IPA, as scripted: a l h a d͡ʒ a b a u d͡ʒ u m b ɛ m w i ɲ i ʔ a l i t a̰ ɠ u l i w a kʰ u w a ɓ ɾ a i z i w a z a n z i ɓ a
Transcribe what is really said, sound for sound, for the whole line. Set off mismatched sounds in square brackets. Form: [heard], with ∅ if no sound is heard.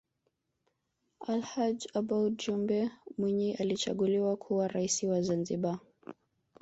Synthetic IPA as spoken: a l h a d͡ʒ a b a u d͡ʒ u m b ɛ m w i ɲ i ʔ a l i [t͡ʃ] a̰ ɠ u l i w a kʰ u w a [∅] ɾ a i [s] i w a z a n z i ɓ a